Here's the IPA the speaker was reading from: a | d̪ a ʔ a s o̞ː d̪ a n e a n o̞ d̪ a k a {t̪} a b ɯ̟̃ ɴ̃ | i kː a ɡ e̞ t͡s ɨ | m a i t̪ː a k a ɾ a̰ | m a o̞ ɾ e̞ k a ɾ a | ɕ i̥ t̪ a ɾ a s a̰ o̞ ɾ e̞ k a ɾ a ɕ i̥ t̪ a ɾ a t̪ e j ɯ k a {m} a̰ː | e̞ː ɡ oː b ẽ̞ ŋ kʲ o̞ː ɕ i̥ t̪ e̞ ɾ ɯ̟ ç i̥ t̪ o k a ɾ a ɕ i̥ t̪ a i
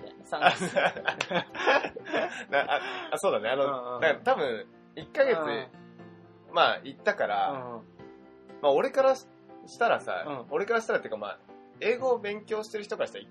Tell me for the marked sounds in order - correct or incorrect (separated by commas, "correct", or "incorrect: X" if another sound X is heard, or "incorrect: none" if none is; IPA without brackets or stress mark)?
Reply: correct, correct